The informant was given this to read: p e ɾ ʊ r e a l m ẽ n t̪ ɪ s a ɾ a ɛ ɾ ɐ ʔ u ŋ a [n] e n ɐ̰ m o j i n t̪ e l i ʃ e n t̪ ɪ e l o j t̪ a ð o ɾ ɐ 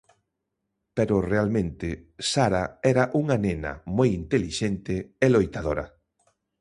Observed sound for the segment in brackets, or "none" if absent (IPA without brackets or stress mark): n